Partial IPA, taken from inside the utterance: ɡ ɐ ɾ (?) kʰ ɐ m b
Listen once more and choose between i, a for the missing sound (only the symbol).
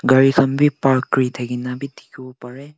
i